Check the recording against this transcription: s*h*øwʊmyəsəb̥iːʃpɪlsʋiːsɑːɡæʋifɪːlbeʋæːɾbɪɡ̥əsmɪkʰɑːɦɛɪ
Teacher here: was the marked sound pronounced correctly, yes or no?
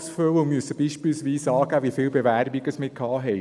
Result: no